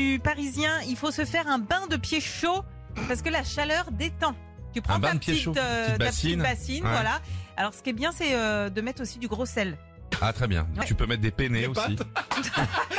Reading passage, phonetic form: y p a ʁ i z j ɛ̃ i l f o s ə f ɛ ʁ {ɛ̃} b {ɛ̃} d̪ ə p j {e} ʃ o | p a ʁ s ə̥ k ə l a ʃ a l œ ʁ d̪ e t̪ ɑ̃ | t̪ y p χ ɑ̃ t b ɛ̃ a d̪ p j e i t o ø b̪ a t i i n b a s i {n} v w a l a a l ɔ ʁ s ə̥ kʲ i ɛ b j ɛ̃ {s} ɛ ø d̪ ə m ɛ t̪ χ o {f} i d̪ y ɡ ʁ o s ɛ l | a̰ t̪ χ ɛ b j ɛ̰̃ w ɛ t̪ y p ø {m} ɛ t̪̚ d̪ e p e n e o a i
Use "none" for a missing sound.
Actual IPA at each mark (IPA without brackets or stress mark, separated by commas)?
ɛ̃, ɛ̃, e, n, s, s, m